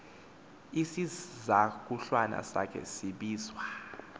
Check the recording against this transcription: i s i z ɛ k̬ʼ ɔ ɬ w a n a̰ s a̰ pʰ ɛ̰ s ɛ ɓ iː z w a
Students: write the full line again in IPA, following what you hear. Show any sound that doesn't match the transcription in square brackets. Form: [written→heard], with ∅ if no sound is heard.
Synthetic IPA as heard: i s i z [ɛ→a] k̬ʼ [ɔ→u] ɬ w a n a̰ s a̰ [pʰ→kʰ] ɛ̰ s [ɛ→i] ɓ iː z w a